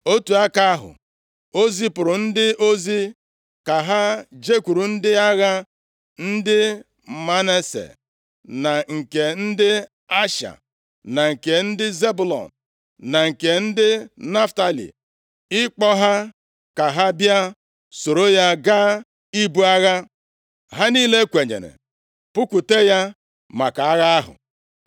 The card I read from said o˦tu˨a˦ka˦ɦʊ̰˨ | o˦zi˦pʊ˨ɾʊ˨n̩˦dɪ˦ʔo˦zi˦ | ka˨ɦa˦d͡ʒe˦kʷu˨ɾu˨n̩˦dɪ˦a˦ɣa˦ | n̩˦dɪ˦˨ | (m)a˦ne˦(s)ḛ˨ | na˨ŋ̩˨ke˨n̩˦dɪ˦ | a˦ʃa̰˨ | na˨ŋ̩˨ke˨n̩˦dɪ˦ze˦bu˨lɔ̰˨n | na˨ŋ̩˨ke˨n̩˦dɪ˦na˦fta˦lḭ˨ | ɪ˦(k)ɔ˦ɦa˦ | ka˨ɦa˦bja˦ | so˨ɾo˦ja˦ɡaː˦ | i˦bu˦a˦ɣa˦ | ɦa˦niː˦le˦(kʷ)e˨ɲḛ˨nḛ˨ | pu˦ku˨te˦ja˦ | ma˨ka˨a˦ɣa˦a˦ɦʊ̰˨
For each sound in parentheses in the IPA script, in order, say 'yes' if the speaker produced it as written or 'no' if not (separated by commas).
yes, yes, no, yes